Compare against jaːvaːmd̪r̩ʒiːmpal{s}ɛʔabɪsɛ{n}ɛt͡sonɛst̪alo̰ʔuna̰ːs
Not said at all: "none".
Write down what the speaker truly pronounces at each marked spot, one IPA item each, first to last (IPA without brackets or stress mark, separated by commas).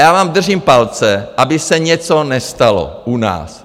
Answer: t͡s, ɲ